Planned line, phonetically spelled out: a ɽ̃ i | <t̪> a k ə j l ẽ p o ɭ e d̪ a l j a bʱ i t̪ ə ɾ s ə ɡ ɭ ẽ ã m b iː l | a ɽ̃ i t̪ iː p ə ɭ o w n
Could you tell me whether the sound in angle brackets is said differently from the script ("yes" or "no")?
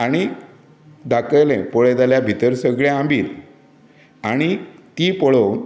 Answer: yes